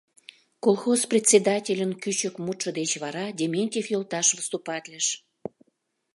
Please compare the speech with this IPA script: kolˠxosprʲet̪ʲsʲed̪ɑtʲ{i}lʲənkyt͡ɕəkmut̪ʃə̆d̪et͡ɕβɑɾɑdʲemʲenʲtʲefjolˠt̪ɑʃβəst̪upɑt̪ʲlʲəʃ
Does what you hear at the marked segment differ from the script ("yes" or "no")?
yes